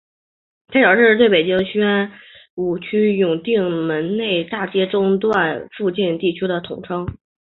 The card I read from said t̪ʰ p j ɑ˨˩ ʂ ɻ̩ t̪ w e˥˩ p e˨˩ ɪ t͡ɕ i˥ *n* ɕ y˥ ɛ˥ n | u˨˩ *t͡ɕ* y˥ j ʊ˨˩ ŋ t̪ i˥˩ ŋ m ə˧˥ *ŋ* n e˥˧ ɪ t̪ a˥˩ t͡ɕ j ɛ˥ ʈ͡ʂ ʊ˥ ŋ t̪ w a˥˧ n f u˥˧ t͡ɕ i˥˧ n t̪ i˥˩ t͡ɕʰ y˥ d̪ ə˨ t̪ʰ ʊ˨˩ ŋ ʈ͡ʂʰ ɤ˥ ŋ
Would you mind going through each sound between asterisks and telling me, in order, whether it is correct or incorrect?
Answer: incorrect: ŋ, incorrect: t͡ɕʰ, incorrect: n

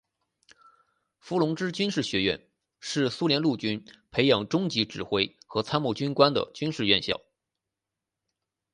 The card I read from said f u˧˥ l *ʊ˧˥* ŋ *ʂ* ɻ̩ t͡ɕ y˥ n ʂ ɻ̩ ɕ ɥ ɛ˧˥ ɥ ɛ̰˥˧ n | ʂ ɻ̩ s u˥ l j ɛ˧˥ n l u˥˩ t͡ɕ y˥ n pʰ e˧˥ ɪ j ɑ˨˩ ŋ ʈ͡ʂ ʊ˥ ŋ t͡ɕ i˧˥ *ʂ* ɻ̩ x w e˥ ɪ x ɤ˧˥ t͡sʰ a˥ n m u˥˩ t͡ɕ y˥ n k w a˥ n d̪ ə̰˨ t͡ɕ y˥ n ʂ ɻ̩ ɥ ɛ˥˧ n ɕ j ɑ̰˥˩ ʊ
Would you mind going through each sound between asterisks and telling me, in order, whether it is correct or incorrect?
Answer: correct, incorrect: ʈ͡ʂ, incorrect: ʈ͡ʂ

